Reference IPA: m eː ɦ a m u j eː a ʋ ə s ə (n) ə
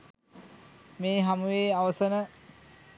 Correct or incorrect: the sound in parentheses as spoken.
correct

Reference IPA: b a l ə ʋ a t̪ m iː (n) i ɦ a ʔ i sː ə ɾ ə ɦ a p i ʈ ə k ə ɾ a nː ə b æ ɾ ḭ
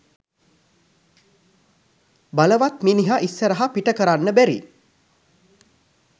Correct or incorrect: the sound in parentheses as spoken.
correct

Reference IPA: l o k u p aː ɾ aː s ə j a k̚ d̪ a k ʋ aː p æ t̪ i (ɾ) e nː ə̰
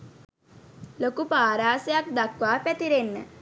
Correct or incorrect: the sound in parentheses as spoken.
correct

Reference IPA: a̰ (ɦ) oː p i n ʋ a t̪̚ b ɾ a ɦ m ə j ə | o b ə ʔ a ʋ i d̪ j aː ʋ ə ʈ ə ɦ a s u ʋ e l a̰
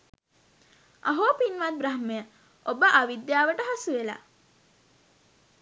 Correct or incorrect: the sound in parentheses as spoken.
correct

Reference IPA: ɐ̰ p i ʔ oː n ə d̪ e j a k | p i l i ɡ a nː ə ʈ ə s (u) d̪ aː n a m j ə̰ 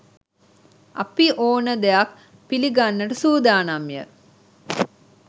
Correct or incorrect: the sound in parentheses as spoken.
incorrect: uː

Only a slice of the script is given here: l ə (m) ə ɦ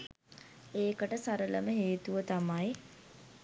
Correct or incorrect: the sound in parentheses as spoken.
correct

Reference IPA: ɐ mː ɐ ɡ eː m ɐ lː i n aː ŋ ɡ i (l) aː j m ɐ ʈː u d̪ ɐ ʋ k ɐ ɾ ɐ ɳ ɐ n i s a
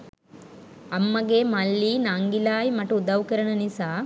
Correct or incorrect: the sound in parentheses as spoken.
correct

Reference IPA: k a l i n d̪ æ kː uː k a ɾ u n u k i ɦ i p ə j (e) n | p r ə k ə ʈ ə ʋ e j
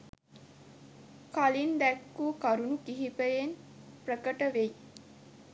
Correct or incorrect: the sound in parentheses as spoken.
correct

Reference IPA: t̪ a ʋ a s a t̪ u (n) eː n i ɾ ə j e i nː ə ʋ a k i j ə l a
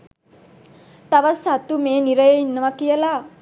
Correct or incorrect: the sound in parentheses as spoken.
incorrect: m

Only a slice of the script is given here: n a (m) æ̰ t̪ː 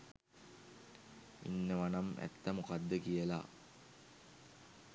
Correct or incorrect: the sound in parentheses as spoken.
correct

